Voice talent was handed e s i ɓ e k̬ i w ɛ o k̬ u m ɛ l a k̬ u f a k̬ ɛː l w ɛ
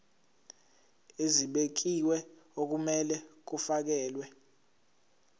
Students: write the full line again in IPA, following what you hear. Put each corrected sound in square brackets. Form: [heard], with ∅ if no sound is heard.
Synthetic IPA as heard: e [z] i ɓ e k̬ i w ɛ o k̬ u m ɛ l [ɛ] k̬ u f a k̬ ɛː l w ɛ